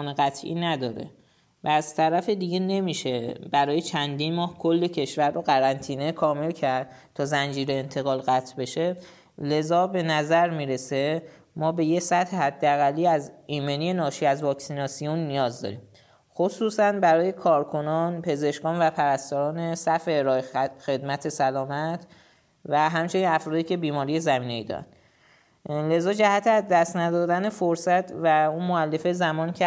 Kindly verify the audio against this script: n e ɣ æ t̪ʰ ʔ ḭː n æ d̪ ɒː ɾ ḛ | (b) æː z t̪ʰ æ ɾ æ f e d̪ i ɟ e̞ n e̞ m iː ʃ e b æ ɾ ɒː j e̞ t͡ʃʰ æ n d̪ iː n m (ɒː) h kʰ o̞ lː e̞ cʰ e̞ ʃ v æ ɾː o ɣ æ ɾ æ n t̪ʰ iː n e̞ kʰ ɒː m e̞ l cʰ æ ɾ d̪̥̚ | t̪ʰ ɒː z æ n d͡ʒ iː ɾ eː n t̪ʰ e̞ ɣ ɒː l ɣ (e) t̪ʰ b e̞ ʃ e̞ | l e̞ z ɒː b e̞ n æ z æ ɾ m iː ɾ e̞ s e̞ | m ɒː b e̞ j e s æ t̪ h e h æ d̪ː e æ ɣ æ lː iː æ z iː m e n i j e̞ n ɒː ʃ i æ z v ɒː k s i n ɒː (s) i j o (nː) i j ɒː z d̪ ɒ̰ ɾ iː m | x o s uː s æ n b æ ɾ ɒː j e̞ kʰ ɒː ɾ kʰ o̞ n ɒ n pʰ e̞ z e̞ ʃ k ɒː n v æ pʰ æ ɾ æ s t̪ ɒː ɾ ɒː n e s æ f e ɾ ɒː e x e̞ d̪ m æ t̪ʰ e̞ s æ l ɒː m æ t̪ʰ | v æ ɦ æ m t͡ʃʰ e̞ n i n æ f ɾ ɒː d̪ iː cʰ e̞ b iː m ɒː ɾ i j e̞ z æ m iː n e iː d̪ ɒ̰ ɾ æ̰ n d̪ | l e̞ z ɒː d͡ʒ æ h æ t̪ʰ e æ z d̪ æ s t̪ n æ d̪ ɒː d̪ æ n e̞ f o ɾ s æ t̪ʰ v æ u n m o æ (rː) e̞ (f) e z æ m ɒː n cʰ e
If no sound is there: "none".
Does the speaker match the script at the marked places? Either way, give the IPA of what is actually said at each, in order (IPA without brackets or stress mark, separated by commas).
v, ɒː, æ, s, nː, lː, f